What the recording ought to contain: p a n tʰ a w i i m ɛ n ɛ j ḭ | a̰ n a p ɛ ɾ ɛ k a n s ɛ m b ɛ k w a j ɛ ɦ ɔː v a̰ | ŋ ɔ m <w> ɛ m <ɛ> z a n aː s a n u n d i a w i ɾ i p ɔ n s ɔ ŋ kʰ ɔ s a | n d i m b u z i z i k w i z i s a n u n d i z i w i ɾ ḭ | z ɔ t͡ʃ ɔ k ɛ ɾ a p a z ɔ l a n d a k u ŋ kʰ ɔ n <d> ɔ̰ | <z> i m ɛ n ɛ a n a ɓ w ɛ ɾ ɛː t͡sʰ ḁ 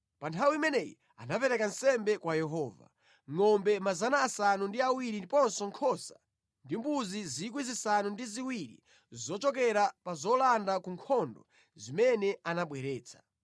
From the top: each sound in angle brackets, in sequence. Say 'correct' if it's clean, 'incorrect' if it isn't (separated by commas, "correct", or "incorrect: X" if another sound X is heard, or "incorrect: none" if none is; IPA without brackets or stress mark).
incorrect: b, incorrect: a, correct, correct